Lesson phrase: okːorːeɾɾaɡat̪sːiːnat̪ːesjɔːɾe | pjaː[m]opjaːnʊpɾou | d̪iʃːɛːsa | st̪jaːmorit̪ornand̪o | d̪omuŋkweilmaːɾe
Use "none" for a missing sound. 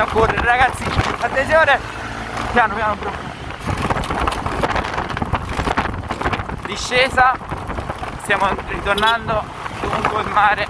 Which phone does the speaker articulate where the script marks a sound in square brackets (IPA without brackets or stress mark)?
n